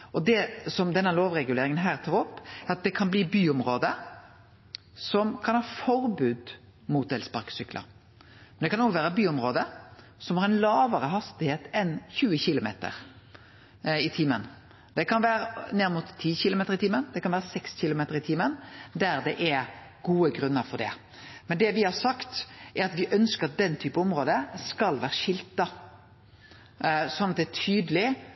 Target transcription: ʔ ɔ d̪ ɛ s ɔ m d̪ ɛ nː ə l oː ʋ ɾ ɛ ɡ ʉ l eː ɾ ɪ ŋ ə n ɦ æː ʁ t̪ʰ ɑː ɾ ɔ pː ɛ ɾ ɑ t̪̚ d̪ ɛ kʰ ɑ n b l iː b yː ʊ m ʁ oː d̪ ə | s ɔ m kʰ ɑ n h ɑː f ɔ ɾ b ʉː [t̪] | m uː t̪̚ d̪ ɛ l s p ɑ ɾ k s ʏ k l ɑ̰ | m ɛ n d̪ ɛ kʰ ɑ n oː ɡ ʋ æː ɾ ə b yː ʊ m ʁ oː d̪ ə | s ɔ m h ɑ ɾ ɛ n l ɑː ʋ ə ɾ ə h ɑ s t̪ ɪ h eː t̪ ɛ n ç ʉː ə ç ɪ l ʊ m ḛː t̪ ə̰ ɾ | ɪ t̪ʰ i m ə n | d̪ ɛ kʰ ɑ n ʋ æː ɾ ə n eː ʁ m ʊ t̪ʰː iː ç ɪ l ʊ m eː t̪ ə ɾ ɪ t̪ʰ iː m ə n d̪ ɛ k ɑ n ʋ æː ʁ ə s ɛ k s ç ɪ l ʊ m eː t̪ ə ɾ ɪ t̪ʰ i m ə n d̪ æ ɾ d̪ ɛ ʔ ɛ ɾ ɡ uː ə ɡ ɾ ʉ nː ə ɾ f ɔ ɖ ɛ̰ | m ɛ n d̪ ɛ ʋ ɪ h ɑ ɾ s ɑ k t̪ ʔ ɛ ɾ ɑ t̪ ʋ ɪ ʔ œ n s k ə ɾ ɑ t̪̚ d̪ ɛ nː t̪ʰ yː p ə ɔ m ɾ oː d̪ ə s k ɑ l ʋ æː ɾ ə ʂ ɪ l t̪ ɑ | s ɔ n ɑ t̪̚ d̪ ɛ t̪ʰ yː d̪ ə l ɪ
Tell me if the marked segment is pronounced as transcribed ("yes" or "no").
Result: no